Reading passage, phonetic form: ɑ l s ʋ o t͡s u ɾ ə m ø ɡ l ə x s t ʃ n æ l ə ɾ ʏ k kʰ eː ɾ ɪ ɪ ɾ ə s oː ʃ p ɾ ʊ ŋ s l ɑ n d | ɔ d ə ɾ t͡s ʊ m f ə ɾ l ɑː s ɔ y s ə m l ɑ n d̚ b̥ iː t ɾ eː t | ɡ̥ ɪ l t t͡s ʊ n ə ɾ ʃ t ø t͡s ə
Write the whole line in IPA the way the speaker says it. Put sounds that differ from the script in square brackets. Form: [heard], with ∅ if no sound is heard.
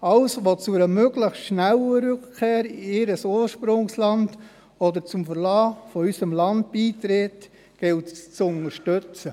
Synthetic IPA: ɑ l s ʋ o t͡s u ɾ ə m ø ɡ l ə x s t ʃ n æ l ə ɾ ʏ k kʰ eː ɾ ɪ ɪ ɾ ə s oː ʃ p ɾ ʊ ŋ s l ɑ n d | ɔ d ə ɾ t͡s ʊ m f ə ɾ l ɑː [f] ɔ y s ə m l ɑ n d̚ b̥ iː t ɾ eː t | ɡ̥ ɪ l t t͡s ʊ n ə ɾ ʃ t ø t͡s ə